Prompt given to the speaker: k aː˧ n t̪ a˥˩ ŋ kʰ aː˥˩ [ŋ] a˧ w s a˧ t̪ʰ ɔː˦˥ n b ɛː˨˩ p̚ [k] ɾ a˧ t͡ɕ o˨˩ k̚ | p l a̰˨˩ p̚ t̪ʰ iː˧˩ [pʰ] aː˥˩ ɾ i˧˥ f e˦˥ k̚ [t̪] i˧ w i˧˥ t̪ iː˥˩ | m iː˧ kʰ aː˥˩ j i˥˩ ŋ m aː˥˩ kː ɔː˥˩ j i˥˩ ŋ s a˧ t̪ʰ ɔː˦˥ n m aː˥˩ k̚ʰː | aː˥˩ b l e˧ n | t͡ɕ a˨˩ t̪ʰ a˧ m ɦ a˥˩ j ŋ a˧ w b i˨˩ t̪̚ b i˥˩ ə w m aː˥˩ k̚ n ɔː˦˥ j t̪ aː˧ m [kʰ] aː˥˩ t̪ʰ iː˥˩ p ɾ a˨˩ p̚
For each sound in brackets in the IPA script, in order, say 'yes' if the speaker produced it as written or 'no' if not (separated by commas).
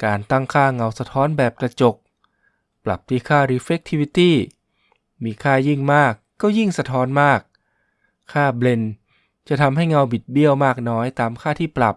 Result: yes, yes, no, no, yes